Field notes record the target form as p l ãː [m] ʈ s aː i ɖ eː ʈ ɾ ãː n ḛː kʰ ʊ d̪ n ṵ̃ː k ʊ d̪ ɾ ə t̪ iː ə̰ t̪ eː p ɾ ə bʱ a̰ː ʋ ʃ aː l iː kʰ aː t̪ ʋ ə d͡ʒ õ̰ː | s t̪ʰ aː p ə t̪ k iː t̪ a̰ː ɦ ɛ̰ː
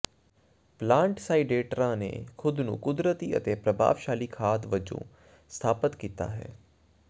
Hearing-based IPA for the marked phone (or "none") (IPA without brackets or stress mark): ɳ